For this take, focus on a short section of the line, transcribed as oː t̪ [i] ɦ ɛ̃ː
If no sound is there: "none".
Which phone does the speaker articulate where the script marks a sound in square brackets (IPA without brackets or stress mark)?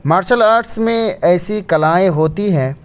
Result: i